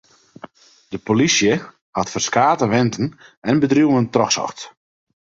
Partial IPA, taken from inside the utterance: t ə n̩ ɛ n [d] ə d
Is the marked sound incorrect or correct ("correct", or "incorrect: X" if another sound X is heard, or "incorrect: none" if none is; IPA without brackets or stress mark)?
incorrect: b